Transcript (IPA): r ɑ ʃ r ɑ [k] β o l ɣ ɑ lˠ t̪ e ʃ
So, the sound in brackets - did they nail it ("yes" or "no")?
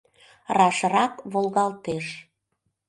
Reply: yes